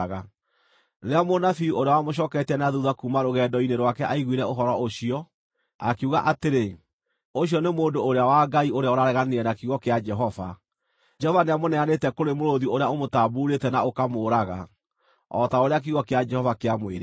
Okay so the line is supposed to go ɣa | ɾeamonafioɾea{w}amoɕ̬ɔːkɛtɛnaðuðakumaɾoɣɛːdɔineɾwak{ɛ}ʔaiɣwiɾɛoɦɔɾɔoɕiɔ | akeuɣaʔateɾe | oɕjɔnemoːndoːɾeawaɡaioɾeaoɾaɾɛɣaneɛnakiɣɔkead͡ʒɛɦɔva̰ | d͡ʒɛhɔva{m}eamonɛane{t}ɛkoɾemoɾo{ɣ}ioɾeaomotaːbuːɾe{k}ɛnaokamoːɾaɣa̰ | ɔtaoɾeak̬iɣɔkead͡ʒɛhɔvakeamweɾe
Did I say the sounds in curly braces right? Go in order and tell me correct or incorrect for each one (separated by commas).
correct, correct, incorrect, correct, incorrect, incorrect